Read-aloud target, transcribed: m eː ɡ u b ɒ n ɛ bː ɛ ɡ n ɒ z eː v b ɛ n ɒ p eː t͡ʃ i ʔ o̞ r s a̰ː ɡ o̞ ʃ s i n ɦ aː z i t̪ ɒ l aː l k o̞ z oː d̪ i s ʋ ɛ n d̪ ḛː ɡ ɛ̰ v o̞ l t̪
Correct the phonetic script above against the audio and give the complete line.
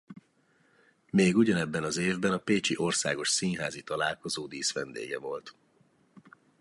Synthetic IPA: m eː ɡ u ɟ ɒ n ɛ bː ɛ n ɒ z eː v b ɛ n ɒ p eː t͡ʃ i ʔ o̞ r s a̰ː ɡ o̞ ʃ s i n ɦ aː z i t̪ ɒ l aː l k o̞ z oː d̪ iː s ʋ ɛ n d̪ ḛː ɡ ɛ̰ v o̞ l t̪